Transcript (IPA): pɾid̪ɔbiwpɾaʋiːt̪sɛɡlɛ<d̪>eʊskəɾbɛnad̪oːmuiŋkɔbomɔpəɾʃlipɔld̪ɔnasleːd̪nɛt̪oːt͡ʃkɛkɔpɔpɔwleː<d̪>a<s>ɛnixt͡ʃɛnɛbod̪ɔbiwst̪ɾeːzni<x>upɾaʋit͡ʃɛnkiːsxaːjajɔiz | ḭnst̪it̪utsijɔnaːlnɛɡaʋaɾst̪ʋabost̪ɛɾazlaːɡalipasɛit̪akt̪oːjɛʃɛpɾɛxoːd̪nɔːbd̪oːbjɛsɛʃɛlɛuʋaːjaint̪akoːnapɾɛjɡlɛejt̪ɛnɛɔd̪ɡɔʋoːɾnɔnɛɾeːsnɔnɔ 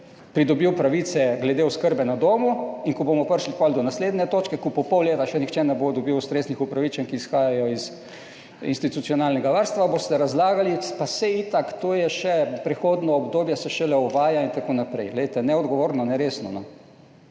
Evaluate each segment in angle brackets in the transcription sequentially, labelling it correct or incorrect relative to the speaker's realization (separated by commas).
correct, incorrect, incorrect, correct